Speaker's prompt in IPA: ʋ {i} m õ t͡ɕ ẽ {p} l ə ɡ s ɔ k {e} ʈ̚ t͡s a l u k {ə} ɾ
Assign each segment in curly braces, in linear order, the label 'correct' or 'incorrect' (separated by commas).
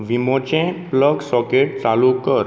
correct, correct, correct, correct